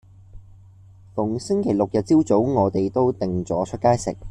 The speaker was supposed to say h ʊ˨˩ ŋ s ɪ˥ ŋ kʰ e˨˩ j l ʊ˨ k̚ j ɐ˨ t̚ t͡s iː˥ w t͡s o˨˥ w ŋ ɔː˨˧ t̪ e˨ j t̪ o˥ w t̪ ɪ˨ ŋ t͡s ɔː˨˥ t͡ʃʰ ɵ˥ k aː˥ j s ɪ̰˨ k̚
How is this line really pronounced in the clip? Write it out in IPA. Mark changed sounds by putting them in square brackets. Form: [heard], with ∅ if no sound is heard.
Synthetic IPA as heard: [f] ʊ˨˩ ŋ s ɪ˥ ŋ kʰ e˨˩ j l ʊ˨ k̚ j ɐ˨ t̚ t͡s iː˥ w t͡s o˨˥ w ŋ ɔː˨˧ t̪ e˨ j t̪ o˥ w t̪ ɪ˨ ŋ t͡s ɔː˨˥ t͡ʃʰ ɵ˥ k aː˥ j s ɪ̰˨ k̚

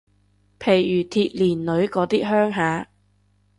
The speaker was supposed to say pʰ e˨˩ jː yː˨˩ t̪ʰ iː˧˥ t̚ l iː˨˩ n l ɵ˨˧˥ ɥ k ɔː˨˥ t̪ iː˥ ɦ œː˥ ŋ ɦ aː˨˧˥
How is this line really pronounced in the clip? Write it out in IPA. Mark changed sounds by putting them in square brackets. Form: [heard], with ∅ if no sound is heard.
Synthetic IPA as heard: pʰ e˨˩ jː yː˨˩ t̪ʰ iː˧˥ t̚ l iː˨˩ n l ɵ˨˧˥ ɥ k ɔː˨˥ t̪ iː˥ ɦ œː˥ ŋ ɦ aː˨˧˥

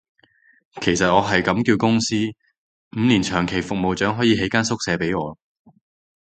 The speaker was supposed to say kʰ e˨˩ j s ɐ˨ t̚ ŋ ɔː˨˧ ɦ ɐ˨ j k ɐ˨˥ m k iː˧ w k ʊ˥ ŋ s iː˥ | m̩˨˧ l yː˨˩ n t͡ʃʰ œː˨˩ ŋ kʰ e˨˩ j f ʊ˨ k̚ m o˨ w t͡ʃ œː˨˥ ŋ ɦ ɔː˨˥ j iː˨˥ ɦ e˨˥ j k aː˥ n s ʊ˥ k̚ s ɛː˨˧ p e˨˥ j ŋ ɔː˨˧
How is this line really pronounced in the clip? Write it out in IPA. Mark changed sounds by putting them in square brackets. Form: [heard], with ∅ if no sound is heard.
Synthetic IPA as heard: kʰ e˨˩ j s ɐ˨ t̚ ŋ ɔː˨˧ ɦ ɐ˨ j k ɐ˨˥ m k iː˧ w k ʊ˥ ŋ s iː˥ | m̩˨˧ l [iː˨˩] n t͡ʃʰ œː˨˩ ŋ kʰ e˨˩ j f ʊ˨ k̚ m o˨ w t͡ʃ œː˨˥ ŋ ɦ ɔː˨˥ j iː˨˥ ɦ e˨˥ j k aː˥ n s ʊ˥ k̚ s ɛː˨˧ p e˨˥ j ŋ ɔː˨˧

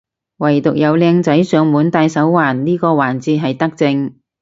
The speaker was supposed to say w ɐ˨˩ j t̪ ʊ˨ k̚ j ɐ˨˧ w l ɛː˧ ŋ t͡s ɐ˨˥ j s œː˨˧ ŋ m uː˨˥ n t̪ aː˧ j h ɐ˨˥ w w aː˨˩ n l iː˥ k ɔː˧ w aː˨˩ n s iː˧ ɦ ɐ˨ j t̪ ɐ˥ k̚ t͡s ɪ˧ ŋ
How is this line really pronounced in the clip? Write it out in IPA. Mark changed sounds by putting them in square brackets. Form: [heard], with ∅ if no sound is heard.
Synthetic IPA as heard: w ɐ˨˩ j t̪ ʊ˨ k̚ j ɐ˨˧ w l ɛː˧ ŋ t͡s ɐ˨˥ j s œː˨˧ ŋ m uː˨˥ n t̪ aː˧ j [s] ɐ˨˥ w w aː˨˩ n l iː˥ k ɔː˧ w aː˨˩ n [t͡s] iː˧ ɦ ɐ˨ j t̪ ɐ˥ k̚ t͡s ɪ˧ ŋ

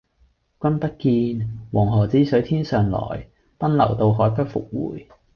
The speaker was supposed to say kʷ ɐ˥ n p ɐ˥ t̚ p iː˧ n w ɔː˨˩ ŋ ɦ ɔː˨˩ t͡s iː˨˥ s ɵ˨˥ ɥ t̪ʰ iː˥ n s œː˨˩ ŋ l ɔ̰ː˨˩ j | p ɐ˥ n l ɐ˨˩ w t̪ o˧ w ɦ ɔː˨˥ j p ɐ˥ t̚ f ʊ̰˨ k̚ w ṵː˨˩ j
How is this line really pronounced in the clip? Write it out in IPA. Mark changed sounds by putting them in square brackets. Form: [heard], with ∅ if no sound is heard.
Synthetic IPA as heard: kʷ ɐ˥ n p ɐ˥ t̚ [k] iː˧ n w ɔː˨˩ ŋ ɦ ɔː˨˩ t͡s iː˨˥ s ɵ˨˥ ɥ t̪ʰ iː˥ n s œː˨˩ ŋ l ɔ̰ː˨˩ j | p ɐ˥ n l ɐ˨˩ w t̪ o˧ w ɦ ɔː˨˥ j p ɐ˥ t̚ f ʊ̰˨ k̚ w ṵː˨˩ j

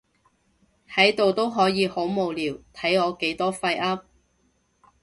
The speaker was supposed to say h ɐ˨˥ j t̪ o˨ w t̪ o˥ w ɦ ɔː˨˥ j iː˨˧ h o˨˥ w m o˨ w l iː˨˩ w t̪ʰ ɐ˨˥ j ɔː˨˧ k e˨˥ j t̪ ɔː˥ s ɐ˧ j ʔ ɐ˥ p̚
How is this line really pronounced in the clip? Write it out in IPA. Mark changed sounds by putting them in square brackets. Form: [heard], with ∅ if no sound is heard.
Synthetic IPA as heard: h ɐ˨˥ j t̪ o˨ w t̪ o˥ w ɦ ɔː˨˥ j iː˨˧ h o˨˥ w m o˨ w l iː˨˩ w t̪ʰ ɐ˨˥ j ɔː˨˧ k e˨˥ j t̪ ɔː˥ [f] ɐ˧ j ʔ ɐ˥ p̚

